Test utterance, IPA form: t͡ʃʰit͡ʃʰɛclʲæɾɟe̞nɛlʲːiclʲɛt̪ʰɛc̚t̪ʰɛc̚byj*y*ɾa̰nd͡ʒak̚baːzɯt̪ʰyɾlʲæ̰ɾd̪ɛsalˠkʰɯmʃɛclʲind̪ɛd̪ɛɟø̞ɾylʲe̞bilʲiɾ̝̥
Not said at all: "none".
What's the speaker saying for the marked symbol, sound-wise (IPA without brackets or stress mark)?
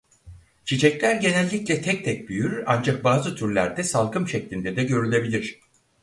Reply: y